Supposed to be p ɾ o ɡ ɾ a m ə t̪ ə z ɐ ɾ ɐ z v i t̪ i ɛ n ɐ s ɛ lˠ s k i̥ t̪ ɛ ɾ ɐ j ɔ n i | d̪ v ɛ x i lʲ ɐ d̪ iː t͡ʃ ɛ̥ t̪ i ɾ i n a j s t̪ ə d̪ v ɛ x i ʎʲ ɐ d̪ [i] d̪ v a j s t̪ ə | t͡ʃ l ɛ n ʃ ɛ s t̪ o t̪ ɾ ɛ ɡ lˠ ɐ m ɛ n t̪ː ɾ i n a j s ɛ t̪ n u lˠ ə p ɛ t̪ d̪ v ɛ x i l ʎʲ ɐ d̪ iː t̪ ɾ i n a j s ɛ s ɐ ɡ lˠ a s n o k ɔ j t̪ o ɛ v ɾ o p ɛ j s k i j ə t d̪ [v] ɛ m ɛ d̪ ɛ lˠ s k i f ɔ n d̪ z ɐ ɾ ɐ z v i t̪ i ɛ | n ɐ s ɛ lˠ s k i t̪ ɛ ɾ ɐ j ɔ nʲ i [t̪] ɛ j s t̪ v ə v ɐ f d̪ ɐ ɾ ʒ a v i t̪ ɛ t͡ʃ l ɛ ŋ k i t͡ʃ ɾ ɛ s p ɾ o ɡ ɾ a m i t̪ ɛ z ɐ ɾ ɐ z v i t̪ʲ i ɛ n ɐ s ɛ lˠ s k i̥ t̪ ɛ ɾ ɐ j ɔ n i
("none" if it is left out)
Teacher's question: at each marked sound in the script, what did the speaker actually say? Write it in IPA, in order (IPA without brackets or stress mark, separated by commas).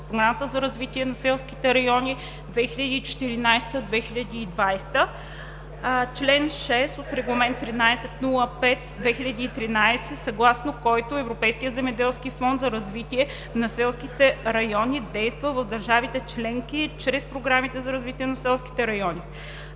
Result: iː, z, d̪